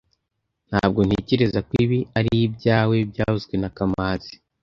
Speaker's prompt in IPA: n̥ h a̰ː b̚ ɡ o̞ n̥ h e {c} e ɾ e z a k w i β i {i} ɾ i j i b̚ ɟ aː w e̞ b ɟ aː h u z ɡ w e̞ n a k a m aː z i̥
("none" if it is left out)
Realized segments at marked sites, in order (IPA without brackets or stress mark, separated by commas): c, a